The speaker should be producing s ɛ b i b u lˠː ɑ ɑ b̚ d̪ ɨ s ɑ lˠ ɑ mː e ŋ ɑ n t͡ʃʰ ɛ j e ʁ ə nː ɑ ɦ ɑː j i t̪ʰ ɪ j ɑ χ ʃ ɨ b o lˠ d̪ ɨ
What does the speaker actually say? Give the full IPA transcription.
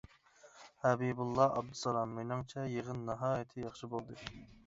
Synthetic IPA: h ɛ b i b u lˠː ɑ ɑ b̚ d̪ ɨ s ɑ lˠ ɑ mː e n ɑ ŋ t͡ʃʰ ɛ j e ʁ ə nː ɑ ɦ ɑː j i t̪ʰ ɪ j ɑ χ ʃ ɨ b o lˠ d̪ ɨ